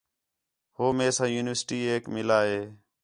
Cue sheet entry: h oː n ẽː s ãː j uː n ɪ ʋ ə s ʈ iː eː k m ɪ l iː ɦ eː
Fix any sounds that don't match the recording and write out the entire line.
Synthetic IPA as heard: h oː m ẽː s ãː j uː n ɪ ʋ ə s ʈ iː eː k m ɪ l aː ɦ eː